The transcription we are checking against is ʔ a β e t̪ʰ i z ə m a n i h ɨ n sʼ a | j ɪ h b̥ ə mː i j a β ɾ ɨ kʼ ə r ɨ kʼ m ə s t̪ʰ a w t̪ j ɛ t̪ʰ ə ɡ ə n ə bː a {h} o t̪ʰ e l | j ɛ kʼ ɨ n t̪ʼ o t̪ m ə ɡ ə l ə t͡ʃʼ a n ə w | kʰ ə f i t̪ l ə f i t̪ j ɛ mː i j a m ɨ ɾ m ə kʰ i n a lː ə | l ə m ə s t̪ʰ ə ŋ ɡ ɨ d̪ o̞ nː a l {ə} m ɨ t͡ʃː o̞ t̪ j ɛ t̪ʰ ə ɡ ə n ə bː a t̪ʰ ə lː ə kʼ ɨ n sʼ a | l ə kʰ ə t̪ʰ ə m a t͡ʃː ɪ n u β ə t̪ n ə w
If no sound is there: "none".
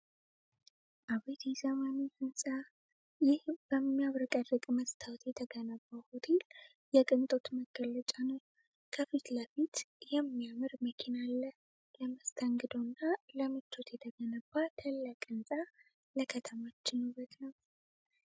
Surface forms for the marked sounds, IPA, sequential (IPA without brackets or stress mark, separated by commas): h, ə